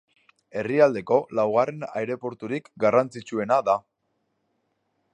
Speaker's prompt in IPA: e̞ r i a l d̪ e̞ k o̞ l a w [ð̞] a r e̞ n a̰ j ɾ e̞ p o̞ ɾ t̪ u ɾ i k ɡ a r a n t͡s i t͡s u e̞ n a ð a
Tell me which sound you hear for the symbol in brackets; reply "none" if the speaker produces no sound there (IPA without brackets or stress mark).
ɣ̞